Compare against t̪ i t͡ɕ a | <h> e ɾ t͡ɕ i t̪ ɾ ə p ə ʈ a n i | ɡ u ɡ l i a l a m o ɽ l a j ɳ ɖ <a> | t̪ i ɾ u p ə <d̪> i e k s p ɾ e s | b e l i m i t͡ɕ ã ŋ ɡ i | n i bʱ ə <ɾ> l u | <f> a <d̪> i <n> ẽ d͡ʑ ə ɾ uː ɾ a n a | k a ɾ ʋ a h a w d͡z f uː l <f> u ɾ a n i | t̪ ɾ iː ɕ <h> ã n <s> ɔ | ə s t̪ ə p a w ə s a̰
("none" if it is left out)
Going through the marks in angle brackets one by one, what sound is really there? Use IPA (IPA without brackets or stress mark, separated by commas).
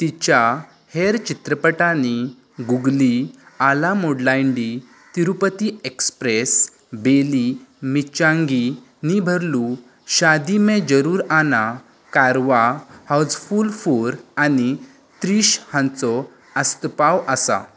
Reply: h, i, t̪, ɾ, ɕ, d̪, m, f, h, t͡s